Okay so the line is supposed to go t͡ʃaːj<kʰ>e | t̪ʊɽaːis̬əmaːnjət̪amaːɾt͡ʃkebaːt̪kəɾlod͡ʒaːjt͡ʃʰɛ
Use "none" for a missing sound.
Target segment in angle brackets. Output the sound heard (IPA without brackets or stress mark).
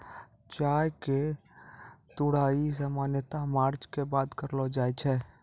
k